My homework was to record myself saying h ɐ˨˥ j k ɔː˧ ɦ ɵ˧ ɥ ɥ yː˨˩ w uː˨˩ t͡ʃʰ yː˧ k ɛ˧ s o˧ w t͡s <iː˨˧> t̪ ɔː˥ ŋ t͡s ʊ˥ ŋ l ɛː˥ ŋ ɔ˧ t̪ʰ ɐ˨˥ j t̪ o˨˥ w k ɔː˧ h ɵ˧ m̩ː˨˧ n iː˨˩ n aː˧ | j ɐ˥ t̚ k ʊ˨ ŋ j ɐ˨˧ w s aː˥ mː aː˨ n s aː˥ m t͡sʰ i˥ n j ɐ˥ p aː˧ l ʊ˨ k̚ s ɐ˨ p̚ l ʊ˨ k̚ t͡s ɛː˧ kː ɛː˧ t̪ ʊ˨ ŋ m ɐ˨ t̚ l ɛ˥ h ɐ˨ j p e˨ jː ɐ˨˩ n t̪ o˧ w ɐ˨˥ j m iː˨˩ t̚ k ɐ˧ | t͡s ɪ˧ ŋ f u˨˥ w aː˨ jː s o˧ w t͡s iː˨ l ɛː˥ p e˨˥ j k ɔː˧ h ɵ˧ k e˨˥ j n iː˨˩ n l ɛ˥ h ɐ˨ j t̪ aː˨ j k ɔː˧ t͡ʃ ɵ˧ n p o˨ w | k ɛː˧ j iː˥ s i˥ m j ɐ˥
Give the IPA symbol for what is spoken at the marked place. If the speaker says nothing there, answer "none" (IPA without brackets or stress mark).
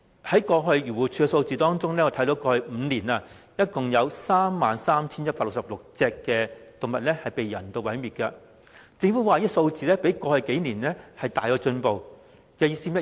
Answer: iː˨˧